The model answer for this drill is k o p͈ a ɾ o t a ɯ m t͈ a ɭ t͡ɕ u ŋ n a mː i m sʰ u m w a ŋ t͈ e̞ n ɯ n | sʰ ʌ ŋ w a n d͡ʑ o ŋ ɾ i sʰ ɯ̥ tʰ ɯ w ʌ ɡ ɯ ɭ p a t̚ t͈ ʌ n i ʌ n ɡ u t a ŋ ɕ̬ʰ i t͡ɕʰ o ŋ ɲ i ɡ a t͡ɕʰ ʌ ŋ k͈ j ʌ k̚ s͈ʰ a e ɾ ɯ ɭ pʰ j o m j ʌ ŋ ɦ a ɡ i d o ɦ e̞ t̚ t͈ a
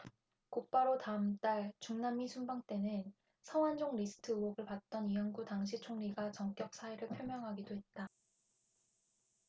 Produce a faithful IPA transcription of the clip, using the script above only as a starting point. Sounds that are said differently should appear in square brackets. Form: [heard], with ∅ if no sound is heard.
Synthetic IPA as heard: k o p͈ a ɾ o t a ɯ m t͈ a ɭ t͡ɕ u ŋ n a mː i [∅] sʰ u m [b] a ŋ t͈ e̞ n ɯ n | sʰ ʌ ŋ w a n d͡ʑ o ŋ ɾ i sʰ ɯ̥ tʰ ɯ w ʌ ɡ ɯ ɭ p a t̚ t͈ ʌ n i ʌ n ɡ u t a ŋ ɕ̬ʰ i t͡ɕʰ o ŋ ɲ i ɡ a [t͡ɕ] ʌ ŋ k͈ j ʌ k̚ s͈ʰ a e ɾ ɯ ɭ pʰ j o m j ʌ ŋ ɦ a ɡ i d o ɦ e̞ t̚ t͈ a